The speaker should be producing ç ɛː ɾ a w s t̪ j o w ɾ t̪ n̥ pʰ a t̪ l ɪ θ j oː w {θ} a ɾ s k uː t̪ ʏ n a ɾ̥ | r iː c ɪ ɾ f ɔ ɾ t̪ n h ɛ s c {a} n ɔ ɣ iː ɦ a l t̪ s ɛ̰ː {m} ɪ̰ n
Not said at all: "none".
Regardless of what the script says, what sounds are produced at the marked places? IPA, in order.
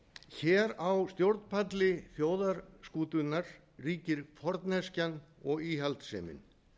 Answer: ð, a, m

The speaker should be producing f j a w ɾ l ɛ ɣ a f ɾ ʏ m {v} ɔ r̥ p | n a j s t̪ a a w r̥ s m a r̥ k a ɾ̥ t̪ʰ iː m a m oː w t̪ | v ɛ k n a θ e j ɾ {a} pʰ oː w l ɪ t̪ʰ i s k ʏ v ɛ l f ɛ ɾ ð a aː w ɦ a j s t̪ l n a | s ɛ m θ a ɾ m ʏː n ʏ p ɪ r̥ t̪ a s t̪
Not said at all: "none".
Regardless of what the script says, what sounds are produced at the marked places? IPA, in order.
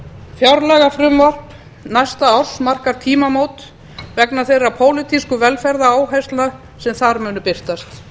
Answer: v, a

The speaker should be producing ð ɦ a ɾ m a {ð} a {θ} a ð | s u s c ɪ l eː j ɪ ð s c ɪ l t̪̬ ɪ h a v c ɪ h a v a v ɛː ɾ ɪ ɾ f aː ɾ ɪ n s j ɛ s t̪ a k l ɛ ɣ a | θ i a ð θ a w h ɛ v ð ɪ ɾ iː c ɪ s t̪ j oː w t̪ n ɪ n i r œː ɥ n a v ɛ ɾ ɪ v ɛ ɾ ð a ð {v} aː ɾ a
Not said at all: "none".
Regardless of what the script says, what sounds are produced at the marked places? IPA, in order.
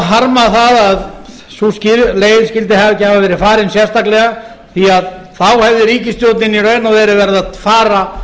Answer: θ, ð, f

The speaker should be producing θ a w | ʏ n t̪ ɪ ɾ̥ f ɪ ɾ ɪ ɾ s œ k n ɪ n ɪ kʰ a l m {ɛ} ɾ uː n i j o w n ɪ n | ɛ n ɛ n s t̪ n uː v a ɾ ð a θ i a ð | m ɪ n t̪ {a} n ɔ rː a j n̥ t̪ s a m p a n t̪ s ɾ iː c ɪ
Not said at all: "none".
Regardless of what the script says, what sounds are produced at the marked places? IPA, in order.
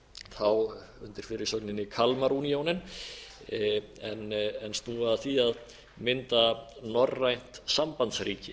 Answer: a, a

